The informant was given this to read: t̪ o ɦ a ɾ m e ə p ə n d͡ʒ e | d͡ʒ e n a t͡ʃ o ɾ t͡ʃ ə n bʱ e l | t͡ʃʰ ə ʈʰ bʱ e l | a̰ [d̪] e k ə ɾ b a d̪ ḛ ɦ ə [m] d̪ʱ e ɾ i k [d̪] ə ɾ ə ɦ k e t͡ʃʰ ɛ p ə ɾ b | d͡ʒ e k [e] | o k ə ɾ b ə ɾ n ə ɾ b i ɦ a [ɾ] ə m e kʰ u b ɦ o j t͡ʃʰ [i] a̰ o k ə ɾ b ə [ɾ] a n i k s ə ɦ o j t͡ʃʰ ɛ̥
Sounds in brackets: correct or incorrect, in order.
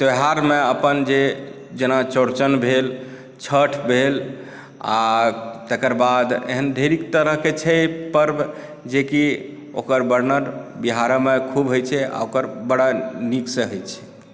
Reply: incorrect, incorrect, incorrect, incorrect, correct, incorrect, incorrect

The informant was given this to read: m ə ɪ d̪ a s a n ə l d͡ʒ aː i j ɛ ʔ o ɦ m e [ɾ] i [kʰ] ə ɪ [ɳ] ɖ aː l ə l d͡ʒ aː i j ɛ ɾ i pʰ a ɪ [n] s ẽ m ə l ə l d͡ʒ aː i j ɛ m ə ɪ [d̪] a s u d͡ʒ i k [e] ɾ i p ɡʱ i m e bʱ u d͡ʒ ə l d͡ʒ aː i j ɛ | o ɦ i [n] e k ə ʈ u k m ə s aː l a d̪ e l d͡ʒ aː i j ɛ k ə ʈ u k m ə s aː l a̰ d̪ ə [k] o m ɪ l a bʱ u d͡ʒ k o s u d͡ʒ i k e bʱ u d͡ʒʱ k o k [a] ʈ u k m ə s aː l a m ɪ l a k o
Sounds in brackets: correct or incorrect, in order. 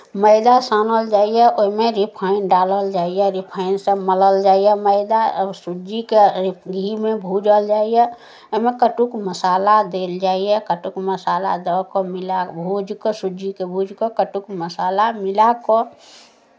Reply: correct, incorrect, incorrect, correct, correct, correct, incorrect, correct, incorrect

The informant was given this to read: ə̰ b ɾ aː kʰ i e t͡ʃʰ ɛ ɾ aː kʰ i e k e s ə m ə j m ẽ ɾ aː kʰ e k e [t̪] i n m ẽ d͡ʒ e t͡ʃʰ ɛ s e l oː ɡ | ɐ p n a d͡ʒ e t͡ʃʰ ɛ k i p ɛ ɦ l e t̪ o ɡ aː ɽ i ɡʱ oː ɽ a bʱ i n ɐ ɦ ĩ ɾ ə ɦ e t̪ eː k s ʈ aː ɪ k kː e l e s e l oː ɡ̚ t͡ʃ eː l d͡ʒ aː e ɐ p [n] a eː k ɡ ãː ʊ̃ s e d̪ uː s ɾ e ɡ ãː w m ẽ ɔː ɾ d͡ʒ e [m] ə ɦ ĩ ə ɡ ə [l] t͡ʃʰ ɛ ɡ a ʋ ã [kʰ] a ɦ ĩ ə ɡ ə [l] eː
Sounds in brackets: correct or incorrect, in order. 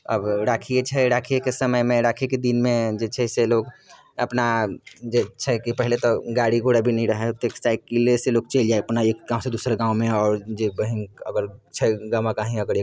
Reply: incorrect, correct, incorrect, incorrect, incorrect, incorrect

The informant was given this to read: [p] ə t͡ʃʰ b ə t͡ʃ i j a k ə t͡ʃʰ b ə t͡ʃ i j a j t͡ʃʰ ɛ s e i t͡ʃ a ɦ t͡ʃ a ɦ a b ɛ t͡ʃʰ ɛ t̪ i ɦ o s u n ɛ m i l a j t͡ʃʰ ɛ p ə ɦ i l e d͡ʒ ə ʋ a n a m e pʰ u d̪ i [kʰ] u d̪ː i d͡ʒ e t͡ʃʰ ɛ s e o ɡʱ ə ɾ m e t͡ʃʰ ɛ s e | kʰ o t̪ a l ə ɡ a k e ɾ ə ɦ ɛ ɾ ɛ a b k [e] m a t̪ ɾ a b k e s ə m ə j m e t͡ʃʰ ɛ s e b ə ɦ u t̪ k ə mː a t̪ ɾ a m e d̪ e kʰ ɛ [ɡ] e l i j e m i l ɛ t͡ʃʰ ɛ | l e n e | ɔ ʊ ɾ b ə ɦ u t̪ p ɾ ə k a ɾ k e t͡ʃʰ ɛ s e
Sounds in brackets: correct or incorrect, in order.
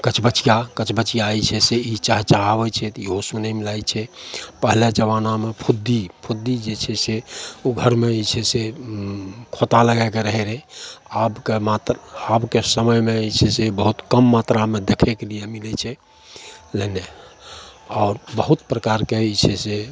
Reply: incorrect, incorrect, correct, incorrect

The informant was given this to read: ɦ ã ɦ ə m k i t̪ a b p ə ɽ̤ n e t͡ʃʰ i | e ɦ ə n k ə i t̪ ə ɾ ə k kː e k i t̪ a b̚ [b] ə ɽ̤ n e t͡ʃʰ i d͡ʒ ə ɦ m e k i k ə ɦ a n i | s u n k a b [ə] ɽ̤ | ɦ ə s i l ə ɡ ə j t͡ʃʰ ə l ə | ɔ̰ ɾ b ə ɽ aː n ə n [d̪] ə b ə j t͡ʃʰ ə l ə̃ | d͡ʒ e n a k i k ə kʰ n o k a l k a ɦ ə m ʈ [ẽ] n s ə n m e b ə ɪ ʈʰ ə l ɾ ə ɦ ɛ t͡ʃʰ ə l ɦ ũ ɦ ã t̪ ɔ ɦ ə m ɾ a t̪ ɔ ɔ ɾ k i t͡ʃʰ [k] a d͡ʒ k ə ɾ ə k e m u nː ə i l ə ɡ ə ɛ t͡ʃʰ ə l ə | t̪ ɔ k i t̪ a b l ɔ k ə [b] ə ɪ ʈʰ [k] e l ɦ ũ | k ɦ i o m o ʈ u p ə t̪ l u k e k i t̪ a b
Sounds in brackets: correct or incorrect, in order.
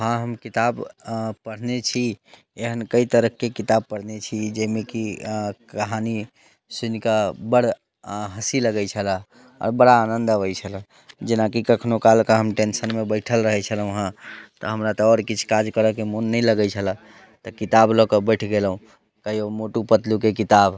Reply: incorrect, correct, correct, incorrect, correct, correct, incorrect

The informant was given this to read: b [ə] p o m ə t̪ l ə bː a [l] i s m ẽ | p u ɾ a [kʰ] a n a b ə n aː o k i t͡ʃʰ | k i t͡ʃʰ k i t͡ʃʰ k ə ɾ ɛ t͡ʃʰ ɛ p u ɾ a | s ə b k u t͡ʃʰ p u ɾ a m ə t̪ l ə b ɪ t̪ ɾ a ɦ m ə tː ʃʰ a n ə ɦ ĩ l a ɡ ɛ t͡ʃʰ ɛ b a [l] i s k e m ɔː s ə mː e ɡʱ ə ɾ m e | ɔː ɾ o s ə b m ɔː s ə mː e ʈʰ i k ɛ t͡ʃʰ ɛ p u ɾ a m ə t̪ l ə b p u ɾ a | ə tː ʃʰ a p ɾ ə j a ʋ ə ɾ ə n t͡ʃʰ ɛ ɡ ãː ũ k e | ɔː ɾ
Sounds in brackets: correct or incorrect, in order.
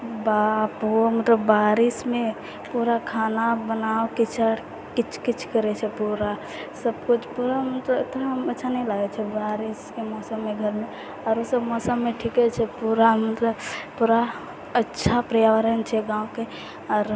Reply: incorrect, incorrect, correct, incorrect

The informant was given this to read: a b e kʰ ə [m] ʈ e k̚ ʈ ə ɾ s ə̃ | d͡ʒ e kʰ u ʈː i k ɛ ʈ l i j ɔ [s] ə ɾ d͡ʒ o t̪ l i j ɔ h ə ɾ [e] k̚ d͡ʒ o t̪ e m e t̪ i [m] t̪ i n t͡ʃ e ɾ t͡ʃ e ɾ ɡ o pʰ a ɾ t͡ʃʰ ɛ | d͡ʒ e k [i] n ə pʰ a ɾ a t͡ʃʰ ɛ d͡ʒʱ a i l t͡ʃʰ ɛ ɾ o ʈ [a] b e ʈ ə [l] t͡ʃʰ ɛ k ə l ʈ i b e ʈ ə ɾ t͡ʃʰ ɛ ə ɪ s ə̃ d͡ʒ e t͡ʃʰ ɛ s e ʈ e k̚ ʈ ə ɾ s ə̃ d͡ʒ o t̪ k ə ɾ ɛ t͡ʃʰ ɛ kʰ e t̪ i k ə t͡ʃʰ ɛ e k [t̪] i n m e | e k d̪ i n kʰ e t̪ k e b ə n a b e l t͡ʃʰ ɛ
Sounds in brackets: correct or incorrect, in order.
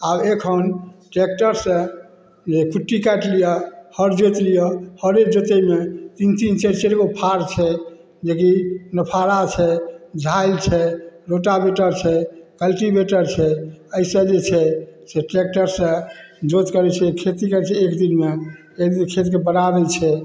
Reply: incorrect, incorrect, correct, incorrect, correct, correct, incorrect, incorrect

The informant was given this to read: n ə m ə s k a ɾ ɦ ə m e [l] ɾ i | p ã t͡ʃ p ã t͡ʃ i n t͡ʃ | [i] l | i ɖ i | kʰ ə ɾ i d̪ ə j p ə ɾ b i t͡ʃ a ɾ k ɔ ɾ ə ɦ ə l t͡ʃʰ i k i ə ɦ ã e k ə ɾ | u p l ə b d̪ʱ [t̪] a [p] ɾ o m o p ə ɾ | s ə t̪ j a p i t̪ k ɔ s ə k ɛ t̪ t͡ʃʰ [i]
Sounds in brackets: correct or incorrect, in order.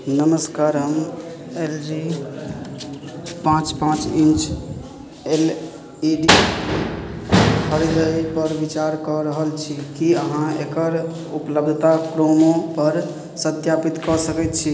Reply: correct, incorrect, correct, incorrect, correct

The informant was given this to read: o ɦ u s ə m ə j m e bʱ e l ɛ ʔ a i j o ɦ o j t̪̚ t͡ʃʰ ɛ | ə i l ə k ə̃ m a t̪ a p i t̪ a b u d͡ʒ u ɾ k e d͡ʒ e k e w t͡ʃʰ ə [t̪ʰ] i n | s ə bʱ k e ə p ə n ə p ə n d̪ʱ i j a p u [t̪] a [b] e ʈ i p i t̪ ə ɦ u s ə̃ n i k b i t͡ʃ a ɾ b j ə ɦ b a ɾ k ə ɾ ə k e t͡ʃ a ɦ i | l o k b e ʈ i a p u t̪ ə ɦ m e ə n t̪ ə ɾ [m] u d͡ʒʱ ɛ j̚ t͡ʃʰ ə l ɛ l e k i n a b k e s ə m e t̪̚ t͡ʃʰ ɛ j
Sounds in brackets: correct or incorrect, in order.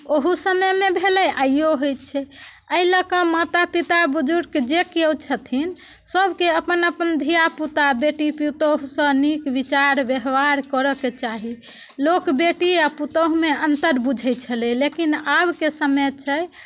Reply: correct, correct, correct, incorrect

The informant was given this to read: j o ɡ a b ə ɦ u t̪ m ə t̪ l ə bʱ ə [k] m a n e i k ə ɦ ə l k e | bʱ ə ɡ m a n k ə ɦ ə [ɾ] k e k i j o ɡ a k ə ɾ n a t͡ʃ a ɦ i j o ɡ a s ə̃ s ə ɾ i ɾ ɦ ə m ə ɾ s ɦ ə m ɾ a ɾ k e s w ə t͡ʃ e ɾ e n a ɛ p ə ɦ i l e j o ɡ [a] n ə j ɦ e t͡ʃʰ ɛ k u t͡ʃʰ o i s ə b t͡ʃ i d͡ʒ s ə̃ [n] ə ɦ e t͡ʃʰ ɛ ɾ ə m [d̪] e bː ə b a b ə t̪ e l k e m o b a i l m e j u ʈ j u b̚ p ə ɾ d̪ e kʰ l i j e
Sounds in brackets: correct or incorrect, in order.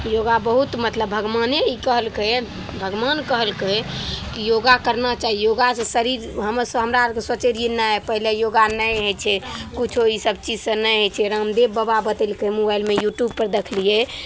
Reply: incorrect, incorrect, correct, correct, correct

